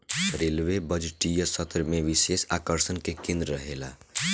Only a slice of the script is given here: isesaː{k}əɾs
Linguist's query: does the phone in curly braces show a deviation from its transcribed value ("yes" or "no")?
no